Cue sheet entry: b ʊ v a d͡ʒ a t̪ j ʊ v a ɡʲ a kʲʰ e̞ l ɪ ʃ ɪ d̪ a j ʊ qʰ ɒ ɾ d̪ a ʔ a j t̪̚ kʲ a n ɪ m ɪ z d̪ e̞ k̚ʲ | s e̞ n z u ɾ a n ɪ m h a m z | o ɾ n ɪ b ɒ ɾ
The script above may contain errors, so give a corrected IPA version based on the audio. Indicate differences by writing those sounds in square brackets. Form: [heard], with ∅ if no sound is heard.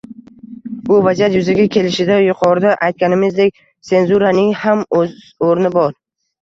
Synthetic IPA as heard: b ʊ v a d͡ʒ a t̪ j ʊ [z] a ɡʲ a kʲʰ e̞ l ɪ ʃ ɪ d̪ a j ʊ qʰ ɒ ɾ d̪ a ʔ a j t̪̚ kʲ a n ɪ m ɪ z d̪ e̞ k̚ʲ | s e̞ n z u ɾ a n ɪ [ŋ] h a m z | o ɾ n ɪ b ɒ ɾ